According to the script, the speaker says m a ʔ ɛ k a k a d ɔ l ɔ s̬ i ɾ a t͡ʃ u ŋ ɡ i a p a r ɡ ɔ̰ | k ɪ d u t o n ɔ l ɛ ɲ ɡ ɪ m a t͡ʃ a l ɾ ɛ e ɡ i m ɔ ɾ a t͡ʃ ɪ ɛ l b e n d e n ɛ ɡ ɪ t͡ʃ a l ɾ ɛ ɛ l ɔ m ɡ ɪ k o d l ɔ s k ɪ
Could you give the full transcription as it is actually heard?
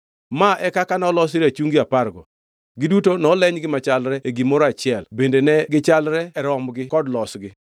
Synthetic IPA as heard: m a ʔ ɛ k a k a n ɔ l ɔ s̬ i ɾ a t͡ʃ u ŋ ɡ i a p a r ɡ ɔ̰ | ɡ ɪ d u t o n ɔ l ɛ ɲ ɡ ɪ m a t͡ʃ a l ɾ ɛ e ɡ i m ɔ ɾ a t͡ʃ ɪ ɛ l b e n d e n ɛ ɡ ɪ t͡ʃ a l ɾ ɛ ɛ ɾ ɔ m ɡ ɪ k ɔ d l ɔ s ɡ ɪ